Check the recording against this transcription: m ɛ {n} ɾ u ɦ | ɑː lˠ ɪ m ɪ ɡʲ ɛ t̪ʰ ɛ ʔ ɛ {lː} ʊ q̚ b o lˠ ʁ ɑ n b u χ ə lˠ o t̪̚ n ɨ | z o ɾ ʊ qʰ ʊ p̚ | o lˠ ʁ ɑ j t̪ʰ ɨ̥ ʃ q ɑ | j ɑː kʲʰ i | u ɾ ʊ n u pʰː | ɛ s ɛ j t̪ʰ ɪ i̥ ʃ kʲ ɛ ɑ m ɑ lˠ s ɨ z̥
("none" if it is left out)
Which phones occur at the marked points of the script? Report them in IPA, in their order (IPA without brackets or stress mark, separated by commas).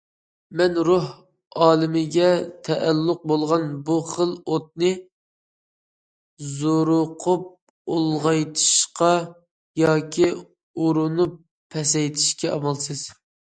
n, lː